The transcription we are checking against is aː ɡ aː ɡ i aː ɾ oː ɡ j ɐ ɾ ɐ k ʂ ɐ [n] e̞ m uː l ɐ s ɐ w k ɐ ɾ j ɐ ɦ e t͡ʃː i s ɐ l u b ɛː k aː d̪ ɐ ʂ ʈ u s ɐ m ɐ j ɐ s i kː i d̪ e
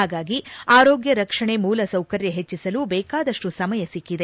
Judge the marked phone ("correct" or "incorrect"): incorrect